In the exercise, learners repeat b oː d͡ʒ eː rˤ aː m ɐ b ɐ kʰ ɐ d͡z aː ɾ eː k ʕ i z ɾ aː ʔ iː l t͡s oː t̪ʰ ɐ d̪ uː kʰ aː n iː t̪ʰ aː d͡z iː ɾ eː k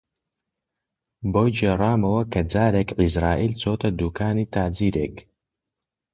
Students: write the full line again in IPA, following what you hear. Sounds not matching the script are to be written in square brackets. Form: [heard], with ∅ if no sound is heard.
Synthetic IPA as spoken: b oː d͡ʒ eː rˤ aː m ɐ [w] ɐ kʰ ɐ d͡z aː ɾ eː k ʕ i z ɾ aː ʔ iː l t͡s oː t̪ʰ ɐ d̪ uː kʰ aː n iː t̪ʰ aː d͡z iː ɾ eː k